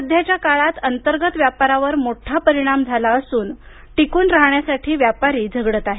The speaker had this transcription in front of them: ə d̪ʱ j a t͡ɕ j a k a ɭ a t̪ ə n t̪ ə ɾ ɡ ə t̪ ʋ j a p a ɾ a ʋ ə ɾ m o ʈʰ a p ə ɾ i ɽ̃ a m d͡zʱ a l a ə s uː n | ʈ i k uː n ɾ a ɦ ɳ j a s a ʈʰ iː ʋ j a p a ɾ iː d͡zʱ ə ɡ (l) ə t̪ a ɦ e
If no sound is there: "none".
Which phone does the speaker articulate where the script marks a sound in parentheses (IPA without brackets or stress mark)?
ɽ